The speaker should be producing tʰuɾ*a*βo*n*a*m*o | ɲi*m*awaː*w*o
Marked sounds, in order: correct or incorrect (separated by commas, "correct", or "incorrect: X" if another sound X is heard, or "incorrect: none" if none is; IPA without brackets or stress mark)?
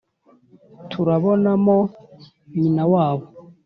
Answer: correct, correct, correct, incorrect: n, incorrect: β